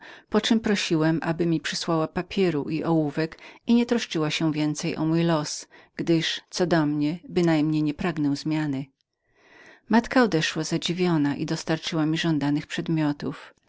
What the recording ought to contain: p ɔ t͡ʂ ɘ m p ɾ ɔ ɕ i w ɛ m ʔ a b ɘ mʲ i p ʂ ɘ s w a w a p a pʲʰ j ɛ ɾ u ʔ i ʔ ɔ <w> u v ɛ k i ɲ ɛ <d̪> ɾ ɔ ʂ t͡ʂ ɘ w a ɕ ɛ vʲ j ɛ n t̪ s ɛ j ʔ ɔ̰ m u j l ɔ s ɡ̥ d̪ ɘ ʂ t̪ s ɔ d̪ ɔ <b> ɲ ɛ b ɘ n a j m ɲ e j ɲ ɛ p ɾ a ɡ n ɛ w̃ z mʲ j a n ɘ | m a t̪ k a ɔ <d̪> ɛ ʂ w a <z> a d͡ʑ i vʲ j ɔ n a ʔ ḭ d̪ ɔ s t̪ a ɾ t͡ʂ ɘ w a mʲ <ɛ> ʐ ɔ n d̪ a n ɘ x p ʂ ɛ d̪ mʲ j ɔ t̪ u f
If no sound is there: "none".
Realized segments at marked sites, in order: w, t̪, m, d̪, z, i

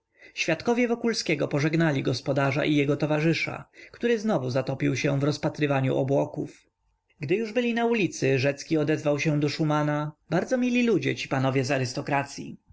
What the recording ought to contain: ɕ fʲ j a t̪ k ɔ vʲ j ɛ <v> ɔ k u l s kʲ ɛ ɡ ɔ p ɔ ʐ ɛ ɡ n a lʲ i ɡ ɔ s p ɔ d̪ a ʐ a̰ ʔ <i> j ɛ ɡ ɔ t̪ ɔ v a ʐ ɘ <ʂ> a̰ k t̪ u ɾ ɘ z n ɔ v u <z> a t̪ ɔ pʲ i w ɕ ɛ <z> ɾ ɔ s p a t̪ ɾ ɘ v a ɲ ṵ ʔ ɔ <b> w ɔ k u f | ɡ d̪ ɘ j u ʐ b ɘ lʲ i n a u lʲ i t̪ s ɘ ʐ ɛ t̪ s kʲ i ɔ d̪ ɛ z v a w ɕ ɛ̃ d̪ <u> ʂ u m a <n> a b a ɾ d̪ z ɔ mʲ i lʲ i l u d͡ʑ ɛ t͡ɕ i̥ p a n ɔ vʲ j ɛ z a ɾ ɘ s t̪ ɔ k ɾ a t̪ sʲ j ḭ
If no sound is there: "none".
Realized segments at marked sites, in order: v, i, ʂ, z, v, b, ɔ, n

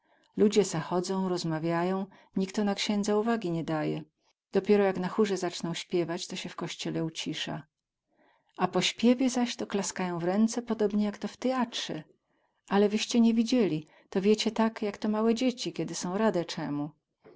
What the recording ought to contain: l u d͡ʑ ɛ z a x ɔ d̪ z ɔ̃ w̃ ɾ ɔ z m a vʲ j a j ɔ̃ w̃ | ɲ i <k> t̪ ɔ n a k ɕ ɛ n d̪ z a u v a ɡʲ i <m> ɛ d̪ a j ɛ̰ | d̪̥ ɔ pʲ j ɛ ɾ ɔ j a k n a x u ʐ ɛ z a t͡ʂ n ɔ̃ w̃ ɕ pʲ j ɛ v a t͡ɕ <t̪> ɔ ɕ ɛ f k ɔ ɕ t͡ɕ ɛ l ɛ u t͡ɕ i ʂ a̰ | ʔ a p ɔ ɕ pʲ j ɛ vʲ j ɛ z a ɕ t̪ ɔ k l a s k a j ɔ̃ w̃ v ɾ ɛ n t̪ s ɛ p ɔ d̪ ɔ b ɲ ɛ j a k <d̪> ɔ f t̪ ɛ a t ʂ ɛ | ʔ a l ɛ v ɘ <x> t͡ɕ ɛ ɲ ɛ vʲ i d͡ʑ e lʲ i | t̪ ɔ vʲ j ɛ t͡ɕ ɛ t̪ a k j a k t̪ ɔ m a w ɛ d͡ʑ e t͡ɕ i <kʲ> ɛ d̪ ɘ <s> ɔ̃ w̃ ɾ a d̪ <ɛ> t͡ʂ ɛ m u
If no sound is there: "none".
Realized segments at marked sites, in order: k, ɲ, t̪, t̪, ɕ, kʲ, s, ɛ

